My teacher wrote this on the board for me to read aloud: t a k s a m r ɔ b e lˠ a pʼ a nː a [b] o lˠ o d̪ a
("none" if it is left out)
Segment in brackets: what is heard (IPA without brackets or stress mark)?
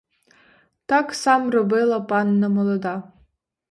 m